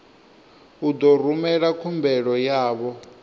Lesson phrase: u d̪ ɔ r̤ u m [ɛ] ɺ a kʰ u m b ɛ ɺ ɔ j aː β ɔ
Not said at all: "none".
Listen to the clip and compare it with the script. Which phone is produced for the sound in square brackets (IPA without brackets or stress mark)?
ɛ